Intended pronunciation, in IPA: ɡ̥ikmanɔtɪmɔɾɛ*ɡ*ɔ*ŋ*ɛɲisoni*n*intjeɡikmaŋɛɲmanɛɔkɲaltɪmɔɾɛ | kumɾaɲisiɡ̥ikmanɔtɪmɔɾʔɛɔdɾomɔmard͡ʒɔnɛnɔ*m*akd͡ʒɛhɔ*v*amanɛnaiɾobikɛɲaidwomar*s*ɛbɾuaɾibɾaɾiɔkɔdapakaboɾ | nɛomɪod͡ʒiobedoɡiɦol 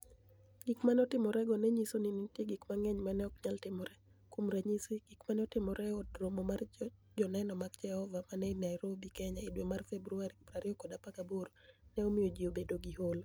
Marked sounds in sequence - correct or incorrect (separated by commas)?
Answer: correct, incorrect, correct, correct, correct, incorrect